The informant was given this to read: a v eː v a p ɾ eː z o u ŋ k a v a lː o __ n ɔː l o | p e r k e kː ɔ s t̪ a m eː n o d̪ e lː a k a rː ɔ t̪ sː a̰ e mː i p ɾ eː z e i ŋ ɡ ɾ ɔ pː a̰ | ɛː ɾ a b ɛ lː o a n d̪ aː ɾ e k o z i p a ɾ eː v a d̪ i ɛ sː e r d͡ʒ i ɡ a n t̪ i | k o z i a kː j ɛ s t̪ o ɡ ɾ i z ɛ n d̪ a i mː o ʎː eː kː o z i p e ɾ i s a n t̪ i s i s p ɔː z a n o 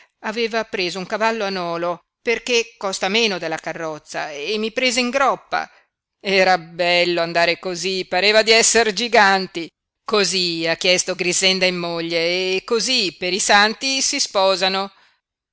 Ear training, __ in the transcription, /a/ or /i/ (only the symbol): a